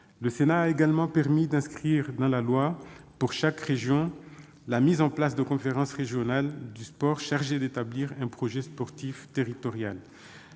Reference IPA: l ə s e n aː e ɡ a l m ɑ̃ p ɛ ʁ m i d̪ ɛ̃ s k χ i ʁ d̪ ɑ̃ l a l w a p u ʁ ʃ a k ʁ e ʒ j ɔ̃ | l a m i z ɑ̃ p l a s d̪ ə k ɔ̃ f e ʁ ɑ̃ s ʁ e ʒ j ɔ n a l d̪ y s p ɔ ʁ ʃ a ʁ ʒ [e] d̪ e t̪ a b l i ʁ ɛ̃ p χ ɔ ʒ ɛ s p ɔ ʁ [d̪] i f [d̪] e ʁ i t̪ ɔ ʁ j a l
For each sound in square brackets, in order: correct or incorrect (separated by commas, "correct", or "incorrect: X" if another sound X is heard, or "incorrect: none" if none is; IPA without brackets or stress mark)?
correct, incorrect: t̪, incorrect: t̪